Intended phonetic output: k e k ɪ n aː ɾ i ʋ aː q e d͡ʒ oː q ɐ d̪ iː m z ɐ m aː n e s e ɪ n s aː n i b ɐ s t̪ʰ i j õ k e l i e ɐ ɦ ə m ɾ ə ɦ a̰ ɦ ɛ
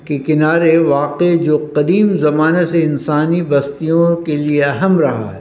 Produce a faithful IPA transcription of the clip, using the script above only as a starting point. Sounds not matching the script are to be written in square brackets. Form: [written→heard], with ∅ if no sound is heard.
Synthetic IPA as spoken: k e k ɪ n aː ɾ [i→e] ʋ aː q e d͡ʒ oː q ɐ d̪ iː m z ɐ m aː n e s e ɪ n s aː n i b ɐ s [t̪ʰ→t̪] i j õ k e l i e ɐ ɦ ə m ɾ [ə→ɐ] ɦ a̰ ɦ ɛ